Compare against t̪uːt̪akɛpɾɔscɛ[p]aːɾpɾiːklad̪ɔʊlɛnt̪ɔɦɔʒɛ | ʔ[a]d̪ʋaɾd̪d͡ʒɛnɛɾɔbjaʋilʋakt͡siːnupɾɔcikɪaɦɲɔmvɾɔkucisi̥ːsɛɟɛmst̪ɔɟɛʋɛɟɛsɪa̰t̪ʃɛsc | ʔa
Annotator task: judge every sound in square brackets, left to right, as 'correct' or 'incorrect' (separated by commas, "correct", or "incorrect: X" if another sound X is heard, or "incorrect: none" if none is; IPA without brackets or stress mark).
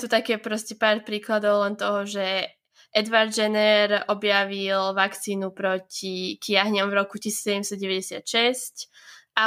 correct, incorrect: ɛ